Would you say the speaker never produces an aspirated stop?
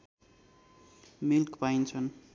no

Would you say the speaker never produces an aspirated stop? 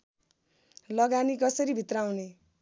yes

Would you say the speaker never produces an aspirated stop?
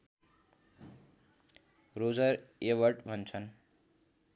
no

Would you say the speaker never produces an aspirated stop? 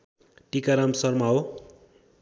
yes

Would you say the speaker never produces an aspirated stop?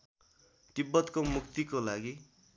yes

